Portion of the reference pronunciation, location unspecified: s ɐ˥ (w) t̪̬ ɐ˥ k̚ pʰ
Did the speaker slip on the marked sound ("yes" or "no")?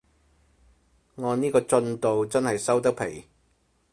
no